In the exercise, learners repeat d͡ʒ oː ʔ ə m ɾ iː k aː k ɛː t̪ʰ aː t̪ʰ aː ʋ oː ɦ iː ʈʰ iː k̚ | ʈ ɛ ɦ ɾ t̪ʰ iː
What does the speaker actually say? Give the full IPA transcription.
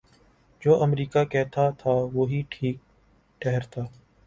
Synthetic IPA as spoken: d͡ʒ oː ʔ ə m ɾ iː k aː k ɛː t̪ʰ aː t̪ʰ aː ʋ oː ɦ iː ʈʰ iː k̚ | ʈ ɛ ɦ ɾ t̪ʰ aː